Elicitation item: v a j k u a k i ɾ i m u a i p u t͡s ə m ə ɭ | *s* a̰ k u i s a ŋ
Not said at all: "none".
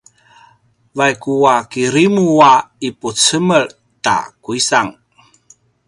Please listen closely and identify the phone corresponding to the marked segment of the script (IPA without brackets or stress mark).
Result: t